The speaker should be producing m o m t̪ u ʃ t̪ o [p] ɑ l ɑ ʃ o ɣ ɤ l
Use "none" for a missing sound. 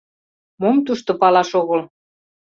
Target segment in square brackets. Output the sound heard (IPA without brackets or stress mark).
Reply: p